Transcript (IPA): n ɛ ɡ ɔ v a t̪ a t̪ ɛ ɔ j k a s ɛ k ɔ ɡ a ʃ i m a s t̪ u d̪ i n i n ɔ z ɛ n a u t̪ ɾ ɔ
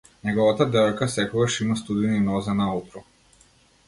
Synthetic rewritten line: n ɛ ɡ ɔ v a t̪ a d̪ ɛ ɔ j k a s ɛ k ɔ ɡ a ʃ i m a s t̪ u d̪ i n i n ɔ z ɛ n a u t̪ ɾ ɔ